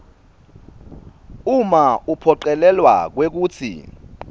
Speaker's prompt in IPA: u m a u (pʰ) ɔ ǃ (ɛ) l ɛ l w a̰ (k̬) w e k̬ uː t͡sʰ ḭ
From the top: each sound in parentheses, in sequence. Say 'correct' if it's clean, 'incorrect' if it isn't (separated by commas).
correct, correct, correct